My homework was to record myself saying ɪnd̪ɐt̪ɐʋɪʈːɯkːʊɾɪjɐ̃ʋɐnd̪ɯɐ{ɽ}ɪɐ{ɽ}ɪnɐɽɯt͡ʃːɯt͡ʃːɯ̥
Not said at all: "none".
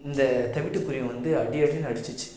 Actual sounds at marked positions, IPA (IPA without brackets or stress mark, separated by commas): ɽ, ɽ